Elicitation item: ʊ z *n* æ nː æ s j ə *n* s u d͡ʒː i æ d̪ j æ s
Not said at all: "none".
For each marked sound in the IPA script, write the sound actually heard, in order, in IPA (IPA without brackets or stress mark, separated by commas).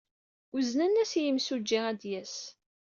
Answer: n, m